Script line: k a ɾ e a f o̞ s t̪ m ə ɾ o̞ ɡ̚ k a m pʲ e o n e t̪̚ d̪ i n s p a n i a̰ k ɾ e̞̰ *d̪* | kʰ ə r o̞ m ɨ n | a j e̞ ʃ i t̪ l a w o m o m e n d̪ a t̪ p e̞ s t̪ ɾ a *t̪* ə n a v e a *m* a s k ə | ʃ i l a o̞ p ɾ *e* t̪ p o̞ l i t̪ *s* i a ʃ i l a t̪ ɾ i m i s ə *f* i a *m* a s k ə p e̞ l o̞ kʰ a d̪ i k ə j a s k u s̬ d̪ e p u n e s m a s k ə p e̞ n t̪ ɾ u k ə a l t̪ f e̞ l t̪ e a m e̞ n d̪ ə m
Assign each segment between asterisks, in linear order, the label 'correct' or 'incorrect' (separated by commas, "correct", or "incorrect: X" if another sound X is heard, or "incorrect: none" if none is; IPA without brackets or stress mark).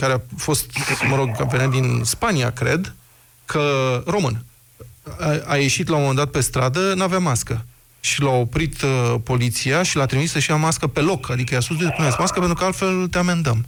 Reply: correct, incorrect: d̪, correct, incorrect: i, correct, incorrect: ʃ, correct